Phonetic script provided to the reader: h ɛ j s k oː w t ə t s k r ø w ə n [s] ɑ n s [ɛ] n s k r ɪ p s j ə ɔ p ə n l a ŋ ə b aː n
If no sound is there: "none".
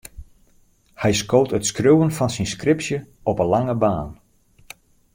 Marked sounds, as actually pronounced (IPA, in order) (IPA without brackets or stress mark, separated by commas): f, i